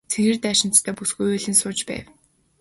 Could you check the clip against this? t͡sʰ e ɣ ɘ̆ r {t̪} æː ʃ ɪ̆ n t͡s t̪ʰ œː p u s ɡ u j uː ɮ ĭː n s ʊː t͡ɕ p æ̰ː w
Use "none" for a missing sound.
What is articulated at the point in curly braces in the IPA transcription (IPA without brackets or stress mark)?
t̪